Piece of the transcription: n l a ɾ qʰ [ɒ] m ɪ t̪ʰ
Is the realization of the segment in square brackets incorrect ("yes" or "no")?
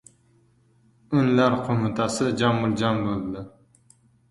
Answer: yes